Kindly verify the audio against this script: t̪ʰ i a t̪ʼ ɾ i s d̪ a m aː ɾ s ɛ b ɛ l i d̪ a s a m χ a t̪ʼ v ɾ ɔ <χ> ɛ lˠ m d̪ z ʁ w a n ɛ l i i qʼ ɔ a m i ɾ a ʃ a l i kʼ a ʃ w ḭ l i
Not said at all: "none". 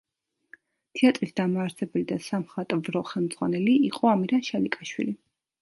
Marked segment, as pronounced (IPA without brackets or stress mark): χ